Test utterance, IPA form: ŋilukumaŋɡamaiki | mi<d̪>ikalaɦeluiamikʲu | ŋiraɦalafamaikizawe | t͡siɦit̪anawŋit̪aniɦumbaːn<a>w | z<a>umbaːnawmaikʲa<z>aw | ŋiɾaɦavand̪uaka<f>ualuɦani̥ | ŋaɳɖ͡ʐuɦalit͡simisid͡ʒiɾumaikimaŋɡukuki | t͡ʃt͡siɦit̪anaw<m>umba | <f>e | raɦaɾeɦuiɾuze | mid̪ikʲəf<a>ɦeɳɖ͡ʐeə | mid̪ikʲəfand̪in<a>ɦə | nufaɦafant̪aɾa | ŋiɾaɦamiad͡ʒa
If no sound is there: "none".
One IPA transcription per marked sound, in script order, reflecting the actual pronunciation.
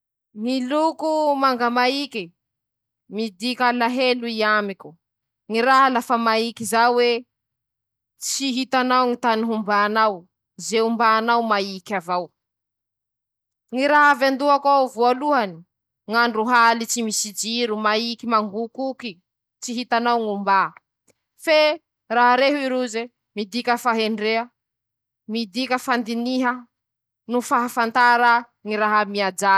d̪, a, e, v, v, ŋ, f, a, i

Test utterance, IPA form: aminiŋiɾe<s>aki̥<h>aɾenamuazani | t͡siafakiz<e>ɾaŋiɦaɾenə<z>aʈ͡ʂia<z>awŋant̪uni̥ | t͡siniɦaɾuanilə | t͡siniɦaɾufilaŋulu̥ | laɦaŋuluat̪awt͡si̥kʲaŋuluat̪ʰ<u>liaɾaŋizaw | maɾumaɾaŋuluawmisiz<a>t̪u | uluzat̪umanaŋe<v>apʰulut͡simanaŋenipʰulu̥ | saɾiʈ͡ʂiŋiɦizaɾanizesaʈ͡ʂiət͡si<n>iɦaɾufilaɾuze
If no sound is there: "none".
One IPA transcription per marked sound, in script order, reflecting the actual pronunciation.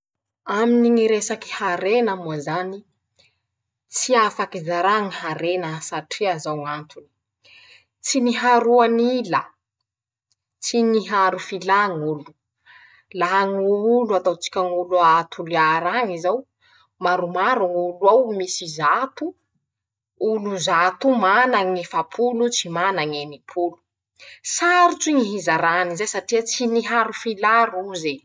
s, h, a, s, z, u, a, f, n

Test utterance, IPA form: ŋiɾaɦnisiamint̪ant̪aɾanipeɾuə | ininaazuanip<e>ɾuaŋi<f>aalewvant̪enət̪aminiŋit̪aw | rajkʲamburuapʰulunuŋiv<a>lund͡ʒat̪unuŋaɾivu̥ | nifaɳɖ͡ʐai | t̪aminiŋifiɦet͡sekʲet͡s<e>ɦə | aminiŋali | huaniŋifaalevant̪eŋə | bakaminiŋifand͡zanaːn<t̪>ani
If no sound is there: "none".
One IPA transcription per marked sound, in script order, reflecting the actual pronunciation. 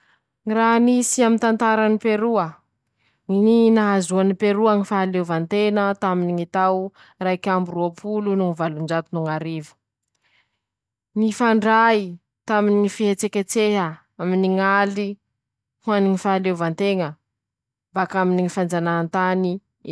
e, f, a, e, t̪

